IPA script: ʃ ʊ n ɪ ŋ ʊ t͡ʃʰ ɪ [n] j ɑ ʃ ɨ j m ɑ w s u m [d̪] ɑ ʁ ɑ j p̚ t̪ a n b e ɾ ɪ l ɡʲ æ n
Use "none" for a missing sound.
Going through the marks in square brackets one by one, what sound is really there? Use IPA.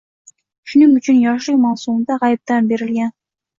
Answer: n, d̪

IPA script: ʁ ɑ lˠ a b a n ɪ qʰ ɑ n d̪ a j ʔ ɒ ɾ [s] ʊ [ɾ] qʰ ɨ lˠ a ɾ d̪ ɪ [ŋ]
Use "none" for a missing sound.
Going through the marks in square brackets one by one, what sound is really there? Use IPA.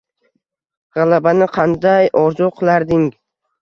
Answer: z, none, ŋ

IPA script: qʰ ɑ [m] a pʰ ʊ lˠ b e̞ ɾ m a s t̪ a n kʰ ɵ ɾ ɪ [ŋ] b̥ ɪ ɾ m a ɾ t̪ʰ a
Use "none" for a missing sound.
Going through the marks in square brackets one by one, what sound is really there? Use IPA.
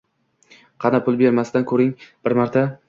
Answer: n, ŋ

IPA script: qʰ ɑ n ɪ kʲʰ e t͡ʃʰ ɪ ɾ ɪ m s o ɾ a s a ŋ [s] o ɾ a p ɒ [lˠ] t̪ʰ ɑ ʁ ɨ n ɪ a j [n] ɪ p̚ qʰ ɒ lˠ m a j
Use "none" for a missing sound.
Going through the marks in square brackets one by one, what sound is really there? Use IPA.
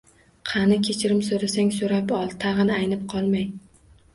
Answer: s, lˠ, n

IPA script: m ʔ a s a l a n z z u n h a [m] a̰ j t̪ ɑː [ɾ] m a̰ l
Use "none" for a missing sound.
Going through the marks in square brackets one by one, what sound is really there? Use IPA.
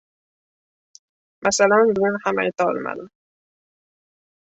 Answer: m, l

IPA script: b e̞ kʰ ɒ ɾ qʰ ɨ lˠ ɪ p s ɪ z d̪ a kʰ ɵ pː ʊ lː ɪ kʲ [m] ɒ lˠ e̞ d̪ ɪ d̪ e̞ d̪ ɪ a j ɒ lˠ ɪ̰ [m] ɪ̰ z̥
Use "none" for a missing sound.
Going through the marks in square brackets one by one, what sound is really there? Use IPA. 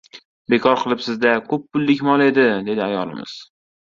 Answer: m, m

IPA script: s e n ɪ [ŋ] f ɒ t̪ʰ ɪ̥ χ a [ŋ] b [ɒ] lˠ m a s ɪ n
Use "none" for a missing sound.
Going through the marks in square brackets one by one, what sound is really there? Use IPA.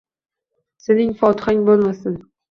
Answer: ŋ, ŋ, o

